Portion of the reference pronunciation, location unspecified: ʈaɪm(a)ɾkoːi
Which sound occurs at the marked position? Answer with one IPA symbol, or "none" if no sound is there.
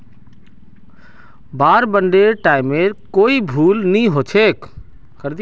e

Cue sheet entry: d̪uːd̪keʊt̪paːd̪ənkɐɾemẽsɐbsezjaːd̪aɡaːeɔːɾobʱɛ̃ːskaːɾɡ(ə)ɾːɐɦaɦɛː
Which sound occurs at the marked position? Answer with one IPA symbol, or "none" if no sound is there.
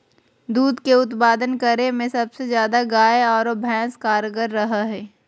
ə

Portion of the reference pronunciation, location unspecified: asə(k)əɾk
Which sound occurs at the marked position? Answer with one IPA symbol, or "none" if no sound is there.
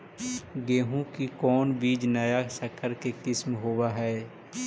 kʰ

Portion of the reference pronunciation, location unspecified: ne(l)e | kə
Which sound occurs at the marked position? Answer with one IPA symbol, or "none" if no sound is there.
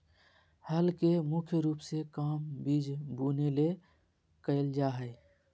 l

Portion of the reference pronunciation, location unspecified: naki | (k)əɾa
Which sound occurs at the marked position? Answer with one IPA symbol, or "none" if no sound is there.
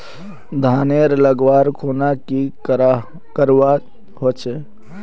k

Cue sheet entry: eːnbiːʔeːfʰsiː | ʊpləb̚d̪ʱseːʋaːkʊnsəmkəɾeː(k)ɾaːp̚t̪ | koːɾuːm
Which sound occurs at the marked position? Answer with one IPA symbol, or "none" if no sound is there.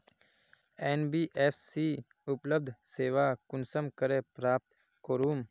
p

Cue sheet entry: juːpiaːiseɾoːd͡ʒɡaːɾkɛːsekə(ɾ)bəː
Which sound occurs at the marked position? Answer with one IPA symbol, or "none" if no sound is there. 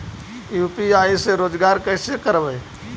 ɾ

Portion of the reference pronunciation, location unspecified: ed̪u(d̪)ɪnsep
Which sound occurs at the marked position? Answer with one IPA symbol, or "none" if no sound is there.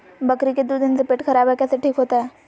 d̪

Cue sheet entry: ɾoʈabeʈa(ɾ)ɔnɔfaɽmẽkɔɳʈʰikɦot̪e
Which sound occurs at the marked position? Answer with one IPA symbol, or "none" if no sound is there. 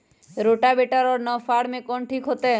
ɾ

